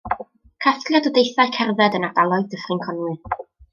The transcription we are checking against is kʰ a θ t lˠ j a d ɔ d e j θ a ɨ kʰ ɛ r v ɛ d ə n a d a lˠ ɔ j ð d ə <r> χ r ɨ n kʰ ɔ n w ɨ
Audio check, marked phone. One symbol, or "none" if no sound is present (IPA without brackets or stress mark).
none